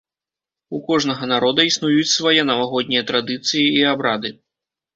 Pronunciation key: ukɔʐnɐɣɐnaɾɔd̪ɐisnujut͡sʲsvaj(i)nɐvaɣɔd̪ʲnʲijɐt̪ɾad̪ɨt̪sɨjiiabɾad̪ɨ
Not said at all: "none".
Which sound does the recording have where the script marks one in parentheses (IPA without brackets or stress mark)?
ɛ